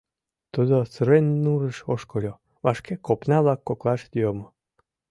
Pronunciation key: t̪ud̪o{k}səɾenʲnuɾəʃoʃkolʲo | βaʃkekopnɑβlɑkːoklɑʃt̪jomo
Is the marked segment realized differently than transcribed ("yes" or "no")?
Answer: yes